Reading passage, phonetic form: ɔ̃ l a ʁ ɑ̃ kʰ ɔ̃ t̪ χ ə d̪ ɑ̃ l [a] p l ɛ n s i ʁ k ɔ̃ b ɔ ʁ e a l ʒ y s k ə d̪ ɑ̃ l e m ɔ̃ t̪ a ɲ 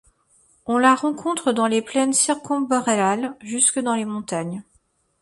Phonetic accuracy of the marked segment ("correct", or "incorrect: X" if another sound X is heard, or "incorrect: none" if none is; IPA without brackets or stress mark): incorrect: e